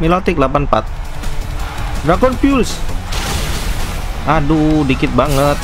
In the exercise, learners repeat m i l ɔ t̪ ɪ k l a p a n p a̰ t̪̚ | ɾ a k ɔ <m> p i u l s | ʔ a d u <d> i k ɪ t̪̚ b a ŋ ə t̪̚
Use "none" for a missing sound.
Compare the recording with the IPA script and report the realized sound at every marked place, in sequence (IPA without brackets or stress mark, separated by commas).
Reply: n, d